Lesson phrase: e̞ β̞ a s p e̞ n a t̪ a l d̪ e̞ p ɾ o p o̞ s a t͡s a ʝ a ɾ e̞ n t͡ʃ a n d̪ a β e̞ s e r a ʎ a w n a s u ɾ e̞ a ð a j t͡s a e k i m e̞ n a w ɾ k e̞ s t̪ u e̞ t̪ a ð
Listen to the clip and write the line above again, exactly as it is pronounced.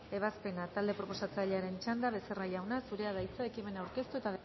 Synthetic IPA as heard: e̞ β̞ a s p e̞ n a t̪ a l d̪ e̞ p ɾ o p o̞ s a t͡s a ʎ a ɾ e̞ n t͡ʃ a n d̪ a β e̞ s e r a ʎ a w n a s u ɾ e̞ a ð a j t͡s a e k i m e̞ n a w ɾ k e̞ s t̪ u e̞ t̪ a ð

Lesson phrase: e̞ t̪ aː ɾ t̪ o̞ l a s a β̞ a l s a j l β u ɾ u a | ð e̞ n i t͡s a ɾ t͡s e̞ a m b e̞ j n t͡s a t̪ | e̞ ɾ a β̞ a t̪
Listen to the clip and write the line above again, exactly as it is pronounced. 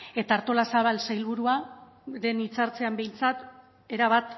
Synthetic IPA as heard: e̞ t̪ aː ɾ t̪ o̞ l a s a β̞ a l s a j l β u ɾ u a | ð e̞ n i t͡s a ɾ t͡s e̞ a m b e̞ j n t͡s a t̪ | e̞ ɾ a β̞ a t̪

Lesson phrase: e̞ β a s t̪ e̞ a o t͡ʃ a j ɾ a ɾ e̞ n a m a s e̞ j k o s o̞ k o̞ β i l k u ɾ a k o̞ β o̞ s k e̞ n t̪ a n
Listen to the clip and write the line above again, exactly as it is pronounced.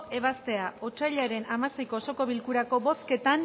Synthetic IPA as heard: e̞ β a s t̪ e̞ a o t͡ʃ a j ʎ a ɾ e̞ n a m a s e̞ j k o s o̞ k o̞ β i l k u ɾ a k o̞ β o̞ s k e̞ t̪ a n

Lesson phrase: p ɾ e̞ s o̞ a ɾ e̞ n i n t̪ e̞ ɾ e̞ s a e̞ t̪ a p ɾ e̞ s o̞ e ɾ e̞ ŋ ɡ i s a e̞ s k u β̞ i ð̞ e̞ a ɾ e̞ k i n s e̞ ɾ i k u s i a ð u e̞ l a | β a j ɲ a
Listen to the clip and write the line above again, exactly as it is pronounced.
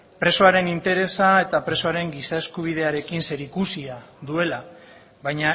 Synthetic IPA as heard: p ɾ e̞ s o̞ a ɾ e̞ n i n t̪ e̞ ɾ e̞ s a e̞ t̪ a p ɾ e̞ s o̞ a ɾ e̞ ŋ ɡ i s a e̞ s k u β̞ i ð̞ e̞ a ɾ e̞ k i n s e̞ ɾ i k u s i a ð u e̞ l a | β a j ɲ a

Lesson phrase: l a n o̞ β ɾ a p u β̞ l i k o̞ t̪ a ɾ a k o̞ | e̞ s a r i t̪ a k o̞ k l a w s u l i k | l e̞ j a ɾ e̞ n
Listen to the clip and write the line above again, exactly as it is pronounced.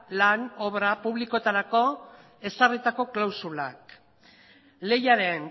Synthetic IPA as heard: l a n o̞ β ɾ a p u β̞ l i k o̞ t̪ a ɾ a k o̞ | e̞ s a r i t̪ a k o̞ k l a w s u l a k | l e̞ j a ɾ e̞ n

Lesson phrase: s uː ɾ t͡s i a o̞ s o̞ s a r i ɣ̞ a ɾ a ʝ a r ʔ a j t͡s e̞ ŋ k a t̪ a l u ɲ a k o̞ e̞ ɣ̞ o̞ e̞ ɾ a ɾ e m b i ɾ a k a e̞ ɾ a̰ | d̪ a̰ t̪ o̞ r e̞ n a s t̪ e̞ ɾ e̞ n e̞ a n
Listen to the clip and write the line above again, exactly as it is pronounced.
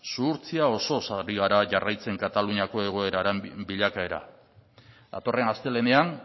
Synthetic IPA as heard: s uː ɾ t͡s i a o̞ s o̞ s a ɾ i ɣ̞ a ɾ a ʝ a r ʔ a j t͡s e̞ ŋ k a t̪ a l u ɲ a k o̞ e̞ ɣ̞ o̞ e̞ ɾ a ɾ e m b i ʎ a k a e̞ ɾ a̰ | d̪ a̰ t̪ o̞ r e̞ n a s t̪ e̞ l e̞ n e̞ a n

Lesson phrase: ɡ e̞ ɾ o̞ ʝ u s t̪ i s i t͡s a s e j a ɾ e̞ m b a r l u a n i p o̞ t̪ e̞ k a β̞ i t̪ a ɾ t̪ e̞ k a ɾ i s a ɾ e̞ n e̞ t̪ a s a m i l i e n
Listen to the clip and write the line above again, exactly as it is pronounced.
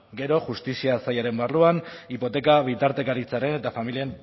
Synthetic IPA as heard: ɡ e̞ ɾ o̞ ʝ u s t̪ i s i a s a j a ɾ e̞ m b a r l u a n i p o̞ t̪ e̞ k a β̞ i t̪ a ɾ t̪ e̞ k a ɾ i t͡s a ɾ e̞ n e̞ t̪ a f a m i l i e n

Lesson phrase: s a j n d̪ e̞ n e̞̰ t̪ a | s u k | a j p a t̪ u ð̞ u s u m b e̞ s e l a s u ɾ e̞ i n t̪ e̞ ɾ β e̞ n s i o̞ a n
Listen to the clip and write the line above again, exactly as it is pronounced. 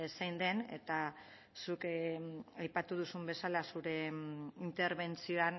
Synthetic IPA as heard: s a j n d̪ e̞ n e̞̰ t̪ a | s u k | a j p a t̪ u ð̞ u s u m b e̞ s a l a s u ɾ e̞ i n t̪ e̞ ɾ β e̞ n t͡s i o̞ a n

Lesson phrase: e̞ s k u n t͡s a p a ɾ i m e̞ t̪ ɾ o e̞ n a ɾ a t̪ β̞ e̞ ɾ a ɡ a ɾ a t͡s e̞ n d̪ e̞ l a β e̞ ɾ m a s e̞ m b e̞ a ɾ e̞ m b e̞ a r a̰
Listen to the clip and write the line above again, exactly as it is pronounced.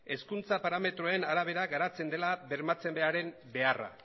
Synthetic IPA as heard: e̞ s k u n t͡s a p a ɾ a m e̞ t̪ ɾ o e̞ n a ɾ a β̞ e̞ ɾ a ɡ a ɾ a t͡s e̞ n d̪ e̞ l a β e̞ ɾ m a t͡s e̞ m b e̞ a ɾ e̞ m b e̞ a r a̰

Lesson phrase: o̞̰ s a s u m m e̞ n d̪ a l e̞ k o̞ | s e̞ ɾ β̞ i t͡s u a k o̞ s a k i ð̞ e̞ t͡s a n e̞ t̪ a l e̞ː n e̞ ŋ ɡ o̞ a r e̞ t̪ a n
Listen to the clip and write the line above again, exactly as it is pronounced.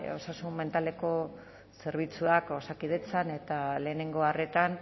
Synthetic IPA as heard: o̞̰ s a s u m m e̞ n t̪ a l e̞ k o̞ | s e̞ ɾ β̞ i t͡s u a k o̞ s a k i ð̞ e̞ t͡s a n e̞ t̪ a l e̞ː n e̞ ŋ ɡ o̞ a r e̞ t̪ a n

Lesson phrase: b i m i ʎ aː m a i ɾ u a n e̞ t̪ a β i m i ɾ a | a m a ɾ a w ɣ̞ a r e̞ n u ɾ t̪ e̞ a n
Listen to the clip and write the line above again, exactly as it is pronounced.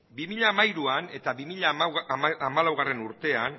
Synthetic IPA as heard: b i m i ʎ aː m a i ɾ u a n e̞ t̪ a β i m i ʎ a | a m a l a w ɣ̞ a r e̞ n u ɾ t̪ e̞ a n

